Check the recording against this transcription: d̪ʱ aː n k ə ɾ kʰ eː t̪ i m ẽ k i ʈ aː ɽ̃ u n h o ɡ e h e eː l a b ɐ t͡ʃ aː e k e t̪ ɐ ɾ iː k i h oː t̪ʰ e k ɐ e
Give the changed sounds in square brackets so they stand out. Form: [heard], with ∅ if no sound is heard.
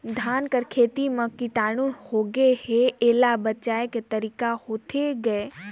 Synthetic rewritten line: d̪ʱ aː n k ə ɾ kʰ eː t̪ i m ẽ k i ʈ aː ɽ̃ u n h o ɡ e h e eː l a b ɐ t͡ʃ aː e k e t̪ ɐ ɾ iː k [a] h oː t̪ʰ e [ɡ] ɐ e